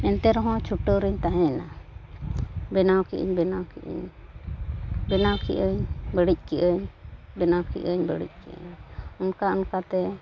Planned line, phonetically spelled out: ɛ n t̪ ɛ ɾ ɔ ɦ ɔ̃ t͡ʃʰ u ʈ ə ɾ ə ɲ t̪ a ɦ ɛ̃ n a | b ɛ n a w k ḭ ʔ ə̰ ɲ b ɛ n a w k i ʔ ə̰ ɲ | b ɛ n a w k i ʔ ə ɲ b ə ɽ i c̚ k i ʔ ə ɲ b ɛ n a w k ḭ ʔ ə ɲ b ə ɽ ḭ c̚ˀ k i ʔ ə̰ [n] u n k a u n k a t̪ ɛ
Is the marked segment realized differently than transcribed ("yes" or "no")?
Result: yes